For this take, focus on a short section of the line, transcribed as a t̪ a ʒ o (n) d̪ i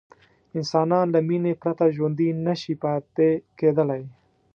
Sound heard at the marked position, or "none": n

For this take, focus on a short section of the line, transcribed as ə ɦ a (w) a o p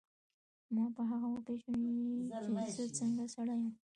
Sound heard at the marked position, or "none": ɣ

